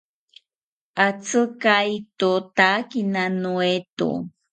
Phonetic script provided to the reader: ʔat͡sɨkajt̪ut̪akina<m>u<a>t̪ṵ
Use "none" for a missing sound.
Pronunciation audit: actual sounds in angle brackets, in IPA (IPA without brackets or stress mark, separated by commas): n, e